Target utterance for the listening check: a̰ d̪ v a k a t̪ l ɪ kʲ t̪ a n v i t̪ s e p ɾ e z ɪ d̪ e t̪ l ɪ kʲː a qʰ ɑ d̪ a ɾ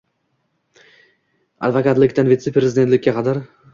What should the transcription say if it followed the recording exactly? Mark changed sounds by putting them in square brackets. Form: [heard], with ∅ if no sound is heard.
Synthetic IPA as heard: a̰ d̪ v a k a t̪ l ɪ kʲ t̪ a n v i t̪ s e p ɾ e z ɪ d̪ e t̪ l ɪ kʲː a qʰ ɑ d̪ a ɾ